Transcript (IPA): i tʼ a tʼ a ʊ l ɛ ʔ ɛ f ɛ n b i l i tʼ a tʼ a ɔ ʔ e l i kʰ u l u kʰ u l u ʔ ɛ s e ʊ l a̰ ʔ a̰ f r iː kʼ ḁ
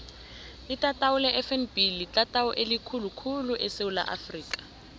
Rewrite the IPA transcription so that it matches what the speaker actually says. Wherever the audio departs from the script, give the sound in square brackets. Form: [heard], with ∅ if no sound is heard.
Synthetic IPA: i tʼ a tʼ a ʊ l ɛ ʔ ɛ f ɛ n b i l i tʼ a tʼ a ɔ ʔ e l i kʰ u l u kʰ u l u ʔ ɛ s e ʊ l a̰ ʔ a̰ f r iː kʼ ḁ